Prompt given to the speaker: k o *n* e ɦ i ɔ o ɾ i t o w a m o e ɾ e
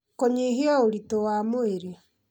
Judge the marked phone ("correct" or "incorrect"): incorrect